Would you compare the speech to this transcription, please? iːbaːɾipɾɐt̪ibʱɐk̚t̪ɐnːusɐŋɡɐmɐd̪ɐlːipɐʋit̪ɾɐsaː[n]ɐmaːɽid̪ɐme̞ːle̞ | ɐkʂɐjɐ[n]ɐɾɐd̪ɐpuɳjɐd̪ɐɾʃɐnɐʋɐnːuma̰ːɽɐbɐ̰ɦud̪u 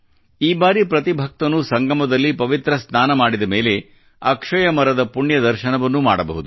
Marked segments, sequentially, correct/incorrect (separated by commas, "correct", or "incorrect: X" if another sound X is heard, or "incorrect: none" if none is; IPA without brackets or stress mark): correct, incorrect: m